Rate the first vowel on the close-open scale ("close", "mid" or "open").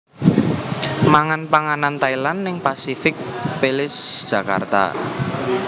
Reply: open